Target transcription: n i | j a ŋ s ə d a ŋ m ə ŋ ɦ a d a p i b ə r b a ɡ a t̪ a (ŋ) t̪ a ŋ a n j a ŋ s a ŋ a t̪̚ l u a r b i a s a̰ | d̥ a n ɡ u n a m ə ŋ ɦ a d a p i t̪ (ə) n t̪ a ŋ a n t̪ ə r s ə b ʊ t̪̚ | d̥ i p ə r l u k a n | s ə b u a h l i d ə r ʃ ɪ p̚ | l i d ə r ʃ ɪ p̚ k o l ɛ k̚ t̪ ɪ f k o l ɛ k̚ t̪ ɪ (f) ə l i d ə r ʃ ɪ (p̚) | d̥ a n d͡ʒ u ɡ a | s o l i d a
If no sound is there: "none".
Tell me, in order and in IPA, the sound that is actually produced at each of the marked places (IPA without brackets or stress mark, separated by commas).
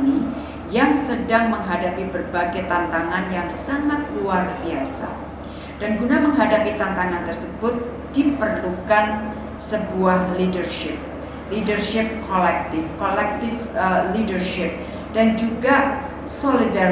n, a, f, p̚